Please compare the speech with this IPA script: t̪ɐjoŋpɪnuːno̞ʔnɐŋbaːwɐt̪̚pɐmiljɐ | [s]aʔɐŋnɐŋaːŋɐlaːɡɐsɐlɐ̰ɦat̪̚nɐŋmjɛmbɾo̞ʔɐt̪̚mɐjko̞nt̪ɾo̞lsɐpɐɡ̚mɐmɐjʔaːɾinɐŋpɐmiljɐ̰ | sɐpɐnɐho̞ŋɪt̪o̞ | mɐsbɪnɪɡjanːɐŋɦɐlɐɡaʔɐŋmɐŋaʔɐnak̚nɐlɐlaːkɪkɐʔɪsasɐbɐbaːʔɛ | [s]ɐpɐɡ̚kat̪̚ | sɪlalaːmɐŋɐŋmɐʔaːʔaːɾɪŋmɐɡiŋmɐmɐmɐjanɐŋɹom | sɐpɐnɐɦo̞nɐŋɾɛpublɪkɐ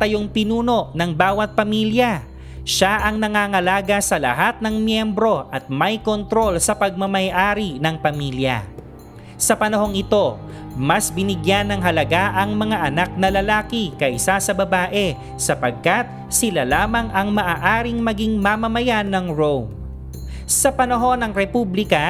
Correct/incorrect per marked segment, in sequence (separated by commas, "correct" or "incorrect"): incorrect, correct